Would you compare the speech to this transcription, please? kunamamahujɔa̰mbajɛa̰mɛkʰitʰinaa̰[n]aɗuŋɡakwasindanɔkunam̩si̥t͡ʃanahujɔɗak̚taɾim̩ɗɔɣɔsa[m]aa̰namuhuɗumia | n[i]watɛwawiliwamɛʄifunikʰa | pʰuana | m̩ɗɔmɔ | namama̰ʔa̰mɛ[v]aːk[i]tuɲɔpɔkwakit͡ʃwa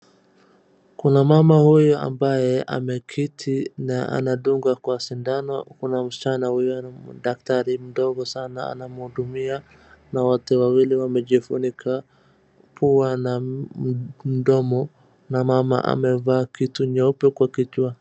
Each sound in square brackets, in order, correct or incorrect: correct, incorrect: n, incorrect: a, correct, correct

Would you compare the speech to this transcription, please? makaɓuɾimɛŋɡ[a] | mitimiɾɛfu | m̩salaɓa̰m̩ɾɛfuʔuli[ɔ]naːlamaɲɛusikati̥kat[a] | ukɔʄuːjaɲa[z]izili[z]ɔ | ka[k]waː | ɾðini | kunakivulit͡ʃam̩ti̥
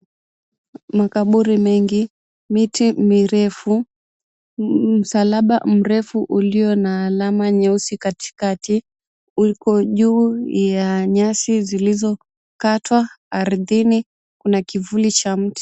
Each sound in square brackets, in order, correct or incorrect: incorrect: i, correct, incorrect: i, incorrect: s, correct, incorrect: t

